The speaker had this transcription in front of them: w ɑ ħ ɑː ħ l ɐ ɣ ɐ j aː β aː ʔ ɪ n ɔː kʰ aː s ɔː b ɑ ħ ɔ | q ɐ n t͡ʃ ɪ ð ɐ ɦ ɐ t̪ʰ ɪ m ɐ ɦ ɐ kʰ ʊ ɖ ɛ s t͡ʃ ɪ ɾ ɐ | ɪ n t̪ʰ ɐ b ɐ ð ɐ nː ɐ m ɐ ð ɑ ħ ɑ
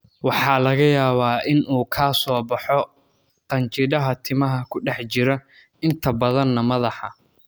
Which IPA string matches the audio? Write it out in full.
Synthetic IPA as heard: w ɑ ħ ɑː l ɐ ɣ ɐ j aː β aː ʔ ɪ n uː kʰ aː s ɔː b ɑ ħ ɔ | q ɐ n t͡ʃ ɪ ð ɐ ɦ ɐ t̪ʰ ɪ m ɐ ɦ ɐ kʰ ʊ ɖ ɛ ħ t͡ʃ ɪ ɾ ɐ | ɪ n t̪ʰ ɐ b ɐ ð ɐ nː ɐ m ɐ ð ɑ ħ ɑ

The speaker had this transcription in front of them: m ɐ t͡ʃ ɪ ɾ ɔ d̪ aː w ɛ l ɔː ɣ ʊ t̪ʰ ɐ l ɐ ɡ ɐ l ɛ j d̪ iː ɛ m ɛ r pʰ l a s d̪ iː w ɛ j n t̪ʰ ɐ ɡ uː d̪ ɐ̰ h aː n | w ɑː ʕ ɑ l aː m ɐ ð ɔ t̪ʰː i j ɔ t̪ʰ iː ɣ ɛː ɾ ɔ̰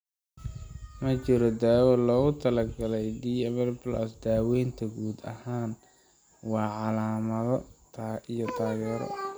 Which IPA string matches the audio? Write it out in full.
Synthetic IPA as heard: m ɐ t͡ʃ ɪ ɾ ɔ d̪ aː w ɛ l ɔː ɣ ʊ t̪ʰ ɐ l ɐ ɡ ɐ l ɛ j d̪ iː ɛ m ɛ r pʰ l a s d̪ aː w ɛ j n t̪ʰ ɐ ɡ uː d̪ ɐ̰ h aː n | w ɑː ʕ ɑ l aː m ɐ ð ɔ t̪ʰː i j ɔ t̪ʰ aː ɣ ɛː ɾ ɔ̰

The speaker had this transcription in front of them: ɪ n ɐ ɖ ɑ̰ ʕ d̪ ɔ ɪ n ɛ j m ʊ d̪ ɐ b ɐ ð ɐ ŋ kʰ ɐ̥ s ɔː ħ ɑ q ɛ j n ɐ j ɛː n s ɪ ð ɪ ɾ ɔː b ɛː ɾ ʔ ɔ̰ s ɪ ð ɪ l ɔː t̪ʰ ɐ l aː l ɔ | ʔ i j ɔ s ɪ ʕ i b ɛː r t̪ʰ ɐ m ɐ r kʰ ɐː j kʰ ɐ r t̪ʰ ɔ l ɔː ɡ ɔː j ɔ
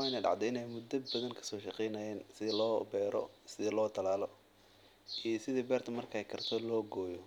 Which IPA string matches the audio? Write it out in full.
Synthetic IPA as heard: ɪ n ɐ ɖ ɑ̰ ʕ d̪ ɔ ɪ n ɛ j m ʊ d̪ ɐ b ɐ ð ɐ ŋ kʰ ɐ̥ s ɔː ʃ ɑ q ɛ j n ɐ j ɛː n s ɪ ð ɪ l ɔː b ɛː ɾ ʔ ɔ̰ s ɪ ð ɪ l ɔː t̪ʰ ɐ l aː l ɔ | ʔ i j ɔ s ɪ ð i b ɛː r t̪ʰ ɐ m ɐ r kʰ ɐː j kʰ ɐ r t̪ʰ ɔ l ɔː ɡ ɔː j ɔ

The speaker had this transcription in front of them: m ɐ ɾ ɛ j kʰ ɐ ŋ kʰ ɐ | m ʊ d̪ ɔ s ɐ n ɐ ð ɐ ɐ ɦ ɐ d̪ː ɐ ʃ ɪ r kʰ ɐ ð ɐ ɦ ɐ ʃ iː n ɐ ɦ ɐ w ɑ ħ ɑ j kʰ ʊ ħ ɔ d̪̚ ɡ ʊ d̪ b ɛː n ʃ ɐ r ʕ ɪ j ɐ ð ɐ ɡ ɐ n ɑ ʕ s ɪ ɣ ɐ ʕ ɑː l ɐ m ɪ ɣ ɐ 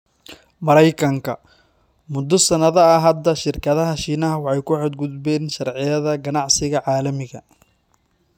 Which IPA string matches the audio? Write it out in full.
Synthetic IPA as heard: m ɐ ɾ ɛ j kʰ ɐ ŋ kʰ ɐ | m ʊ d̪ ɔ s ɐ n ɐ ð ɐ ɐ ɦ ɐ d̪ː ɐ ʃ ɪ r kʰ ɐ ð ɐ ɦ ɐ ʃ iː n ɐ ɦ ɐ w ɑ ħ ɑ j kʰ ʊ ħ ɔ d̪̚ ɡ ʊ d̪ b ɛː n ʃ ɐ r ʕ ɪ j ɐ ð ɐ ɡ ɐ n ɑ ʕ s ɪ ɣ ɐ ʕ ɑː l ɐ m ɪ ɣ ɐ

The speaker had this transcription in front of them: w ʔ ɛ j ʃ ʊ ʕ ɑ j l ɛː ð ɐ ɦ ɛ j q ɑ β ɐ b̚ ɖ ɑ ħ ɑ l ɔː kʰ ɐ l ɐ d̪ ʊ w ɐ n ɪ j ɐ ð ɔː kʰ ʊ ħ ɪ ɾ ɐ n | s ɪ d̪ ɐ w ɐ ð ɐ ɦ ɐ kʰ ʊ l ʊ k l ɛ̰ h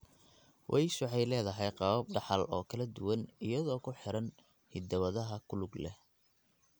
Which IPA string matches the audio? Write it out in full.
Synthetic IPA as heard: w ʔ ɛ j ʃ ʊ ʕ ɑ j l ɛː ð ɐ ɦ ɛ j q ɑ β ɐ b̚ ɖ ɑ ħ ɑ l ɔː kʰ ɐ l ɐ d̪ ʊ w ɐ n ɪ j ɐ ð ɔː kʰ ʊ ħ ɪ ɾ ɐ n | h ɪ d̪ ɐ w ɐ ð ɐ ɦ ɐ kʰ ʊ l ʊ ɡ l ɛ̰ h

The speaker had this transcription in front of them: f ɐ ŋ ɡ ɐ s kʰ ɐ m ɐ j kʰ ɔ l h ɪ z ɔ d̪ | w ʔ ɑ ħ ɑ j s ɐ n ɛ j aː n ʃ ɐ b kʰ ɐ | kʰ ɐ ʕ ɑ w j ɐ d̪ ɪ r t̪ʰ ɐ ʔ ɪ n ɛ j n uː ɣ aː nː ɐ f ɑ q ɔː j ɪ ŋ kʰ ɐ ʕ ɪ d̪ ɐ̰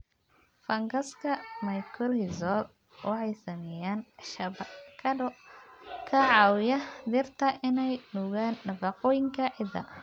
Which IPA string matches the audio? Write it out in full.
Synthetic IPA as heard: f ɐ ŋ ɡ ɐ s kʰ ɐ m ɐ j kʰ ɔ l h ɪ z ɔ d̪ | w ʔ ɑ ħ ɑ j s ɐ m ɛ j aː n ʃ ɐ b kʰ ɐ | kʰ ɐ ʕ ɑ w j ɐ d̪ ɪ r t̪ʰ ɐ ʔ ɪ n ɛ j n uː ɣ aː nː ɐ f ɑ q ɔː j ɪ ŋ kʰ ɐ ʕ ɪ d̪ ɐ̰

